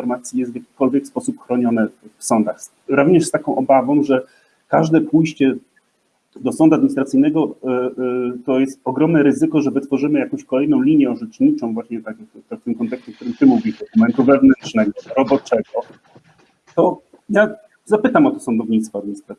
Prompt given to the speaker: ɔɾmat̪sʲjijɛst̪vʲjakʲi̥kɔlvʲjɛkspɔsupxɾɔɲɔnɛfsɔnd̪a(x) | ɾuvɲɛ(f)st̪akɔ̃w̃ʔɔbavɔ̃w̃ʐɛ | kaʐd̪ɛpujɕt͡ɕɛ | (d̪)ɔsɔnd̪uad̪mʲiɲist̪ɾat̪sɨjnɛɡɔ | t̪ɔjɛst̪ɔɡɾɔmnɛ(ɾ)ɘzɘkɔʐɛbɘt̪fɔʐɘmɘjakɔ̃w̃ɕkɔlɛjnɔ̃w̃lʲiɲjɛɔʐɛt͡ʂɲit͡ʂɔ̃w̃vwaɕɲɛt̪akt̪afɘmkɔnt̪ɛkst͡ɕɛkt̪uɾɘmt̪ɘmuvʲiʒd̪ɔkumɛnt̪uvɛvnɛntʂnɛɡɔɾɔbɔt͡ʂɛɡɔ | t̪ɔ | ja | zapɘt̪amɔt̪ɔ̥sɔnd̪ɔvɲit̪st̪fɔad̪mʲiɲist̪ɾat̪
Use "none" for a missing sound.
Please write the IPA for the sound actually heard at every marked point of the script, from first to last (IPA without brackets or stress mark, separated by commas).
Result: x, ʂ, d̪, ɾ